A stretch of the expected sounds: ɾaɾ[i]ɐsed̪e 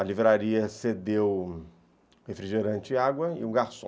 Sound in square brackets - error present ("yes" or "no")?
no